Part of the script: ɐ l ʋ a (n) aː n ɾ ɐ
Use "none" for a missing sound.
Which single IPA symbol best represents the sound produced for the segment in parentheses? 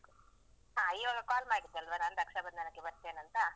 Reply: n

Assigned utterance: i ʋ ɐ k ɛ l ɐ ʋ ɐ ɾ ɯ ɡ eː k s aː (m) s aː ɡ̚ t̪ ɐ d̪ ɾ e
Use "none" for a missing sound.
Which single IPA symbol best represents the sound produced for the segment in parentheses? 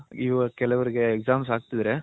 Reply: m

